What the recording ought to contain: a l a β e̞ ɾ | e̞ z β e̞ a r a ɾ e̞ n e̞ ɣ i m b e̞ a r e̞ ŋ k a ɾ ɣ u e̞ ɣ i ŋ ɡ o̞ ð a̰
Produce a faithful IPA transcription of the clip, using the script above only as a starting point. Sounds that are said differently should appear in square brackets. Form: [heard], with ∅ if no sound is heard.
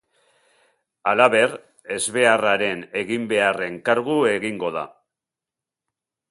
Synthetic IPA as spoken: a l a β e̞ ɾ | e̞ z β e̞ a r a ɾ e̞ n e̞ ɣ i m b e̞ a r e̞ ŋ k a ɾ ɣ u e̞ ɣ i ŋ ɡ o̞ ð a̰